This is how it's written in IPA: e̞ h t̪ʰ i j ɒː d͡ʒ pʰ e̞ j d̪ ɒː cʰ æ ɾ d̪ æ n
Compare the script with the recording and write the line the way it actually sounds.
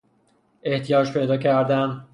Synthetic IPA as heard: e̞ h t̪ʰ i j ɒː d͡ʒ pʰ e̞ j d̪ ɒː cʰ æ ɾ d̪ æ n